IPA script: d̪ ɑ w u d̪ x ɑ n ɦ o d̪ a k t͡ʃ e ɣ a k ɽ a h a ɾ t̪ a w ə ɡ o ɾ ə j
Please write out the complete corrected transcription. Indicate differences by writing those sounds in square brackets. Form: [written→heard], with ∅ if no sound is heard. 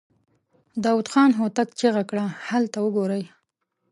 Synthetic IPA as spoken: d̪ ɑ w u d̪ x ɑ n ɦ o [d̪→t̪] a k t͡ʃ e ɣ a k ɽ a h a [ɾ→l] t̪ a w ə ɡ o ɾ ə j